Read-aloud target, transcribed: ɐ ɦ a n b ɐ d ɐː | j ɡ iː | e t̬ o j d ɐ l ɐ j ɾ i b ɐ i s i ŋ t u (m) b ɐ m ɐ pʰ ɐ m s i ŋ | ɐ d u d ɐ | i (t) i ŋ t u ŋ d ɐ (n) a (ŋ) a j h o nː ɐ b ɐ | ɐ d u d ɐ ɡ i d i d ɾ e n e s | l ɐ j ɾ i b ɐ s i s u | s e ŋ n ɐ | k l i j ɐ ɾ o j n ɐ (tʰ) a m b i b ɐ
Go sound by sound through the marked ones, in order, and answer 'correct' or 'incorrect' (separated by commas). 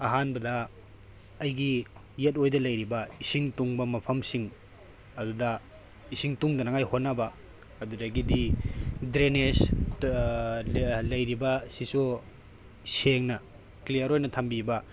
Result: incorrect, incorrect, correct, correct, correct